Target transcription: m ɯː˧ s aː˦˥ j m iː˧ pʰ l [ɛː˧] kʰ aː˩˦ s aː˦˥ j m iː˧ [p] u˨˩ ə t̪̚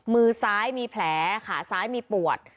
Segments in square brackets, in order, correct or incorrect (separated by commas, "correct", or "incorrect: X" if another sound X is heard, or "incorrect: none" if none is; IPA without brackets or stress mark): incorrect: ɛː˩˦, correct